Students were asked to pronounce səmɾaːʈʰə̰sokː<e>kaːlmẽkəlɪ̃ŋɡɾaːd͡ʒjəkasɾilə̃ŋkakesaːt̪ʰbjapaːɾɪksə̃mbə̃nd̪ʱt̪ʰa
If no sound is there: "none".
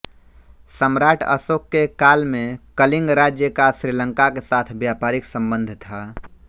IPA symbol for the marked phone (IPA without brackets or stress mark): e